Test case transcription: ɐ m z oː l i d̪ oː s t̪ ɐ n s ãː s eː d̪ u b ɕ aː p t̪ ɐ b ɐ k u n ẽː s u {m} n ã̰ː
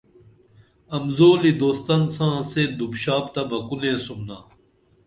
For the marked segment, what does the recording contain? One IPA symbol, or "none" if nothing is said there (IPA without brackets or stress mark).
m